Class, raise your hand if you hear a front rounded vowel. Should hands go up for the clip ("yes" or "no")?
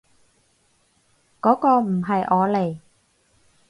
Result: no